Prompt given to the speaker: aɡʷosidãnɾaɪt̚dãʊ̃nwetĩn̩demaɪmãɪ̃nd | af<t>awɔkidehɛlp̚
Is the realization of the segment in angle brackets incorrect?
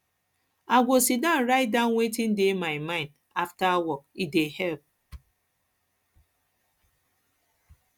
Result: no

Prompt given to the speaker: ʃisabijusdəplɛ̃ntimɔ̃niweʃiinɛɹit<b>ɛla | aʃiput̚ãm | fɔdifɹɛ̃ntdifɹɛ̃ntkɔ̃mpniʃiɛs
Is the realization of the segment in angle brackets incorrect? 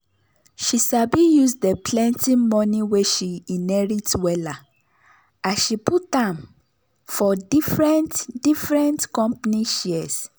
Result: yes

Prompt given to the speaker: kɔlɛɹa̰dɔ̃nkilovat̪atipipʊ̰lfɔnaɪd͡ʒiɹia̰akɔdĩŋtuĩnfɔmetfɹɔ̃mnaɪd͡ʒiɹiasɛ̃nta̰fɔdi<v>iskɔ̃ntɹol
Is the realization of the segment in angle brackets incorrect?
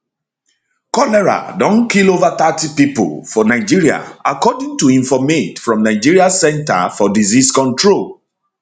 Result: yes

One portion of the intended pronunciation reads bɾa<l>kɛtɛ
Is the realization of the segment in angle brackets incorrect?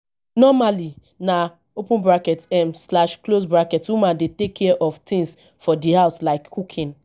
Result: yes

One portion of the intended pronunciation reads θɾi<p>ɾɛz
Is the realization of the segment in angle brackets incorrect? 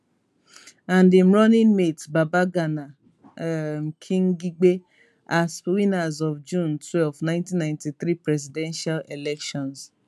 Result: no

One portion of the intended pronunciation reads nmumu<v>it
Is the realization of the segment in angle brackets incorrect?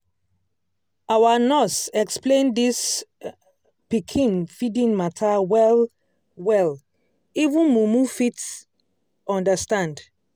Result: yes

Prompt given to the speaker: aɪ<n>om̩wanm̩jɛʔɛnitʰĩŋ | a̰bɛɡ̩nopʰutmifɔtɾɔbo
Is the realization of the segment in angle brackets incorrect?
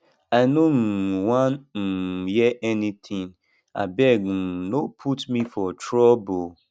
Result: no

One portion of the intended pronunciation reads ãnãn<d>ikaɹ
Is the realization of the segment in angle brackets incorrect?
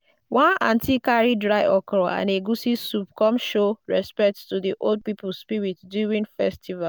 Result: yes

